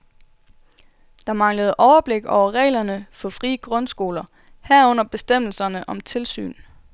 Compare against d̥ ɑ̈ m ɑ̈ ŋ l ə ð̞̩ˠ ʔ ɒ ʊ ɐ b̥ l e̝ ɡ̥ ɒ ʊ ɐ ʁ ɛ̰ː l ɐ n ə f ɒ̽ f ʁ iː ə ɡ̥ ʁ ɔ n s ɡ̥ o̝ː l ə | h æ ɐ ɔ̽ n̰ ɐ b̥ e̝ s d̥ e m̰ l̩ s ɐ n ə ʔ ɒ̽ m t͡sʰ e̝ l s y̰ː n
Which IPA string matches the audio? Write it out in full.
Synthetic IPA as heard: d̥ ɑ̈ m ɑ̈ ŋ l ə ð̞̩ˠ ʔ ɒ ʊ ɐ b̥ l e̝ ɡ̥ ɒ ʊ ɐ ʁ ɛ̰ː l ɐ n ə f ɒ̽ f ʁ iː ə ɡ̥ ʁ ɔ n s ɡ̥ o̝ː l ɐ | h æ ɐ ɔ̽ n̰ ɐ b̥ e̝ s d̥ e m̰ l̩ s ɐ n ə ʔ ɒ̽ m t͡sʰ e̝ l s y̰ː n